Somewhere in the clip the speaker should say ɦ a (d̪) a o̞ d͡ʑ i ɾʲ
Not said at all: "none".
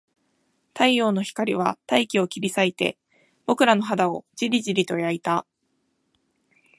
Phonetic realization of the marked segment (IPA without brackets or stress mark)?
d̪